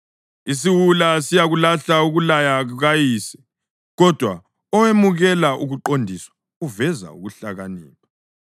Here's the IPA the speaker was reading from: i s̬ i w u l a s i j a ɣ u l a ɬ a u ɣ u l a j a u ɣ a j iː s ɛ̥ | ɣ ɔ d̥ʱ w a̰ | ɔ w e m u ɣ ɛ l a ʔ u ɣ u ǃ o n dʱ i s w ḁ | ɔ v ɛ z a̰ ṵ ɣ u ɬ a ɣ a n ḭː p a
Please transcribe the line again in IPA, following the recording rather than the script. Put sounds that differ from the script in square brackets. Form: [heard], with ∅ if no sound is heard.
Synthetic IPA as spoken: i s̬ i w u l a s i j a ɣ u l a ɬ a u ɣ u l a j a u ɣ a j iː s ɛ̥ | ɣ ɔ d̥ʱ w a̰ | ɔ w e m u ɣ ɛ l a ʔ u ɣ u ǃ o n dʱ i s w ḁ | [u] v ɛ z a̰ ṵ ɣ u ɬ a ɣ a n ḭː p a